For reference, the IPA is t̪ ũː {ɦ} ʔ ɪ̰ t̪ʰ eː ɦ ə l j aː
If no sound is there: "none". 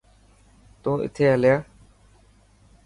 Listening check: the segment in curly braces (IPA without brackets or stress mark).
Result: none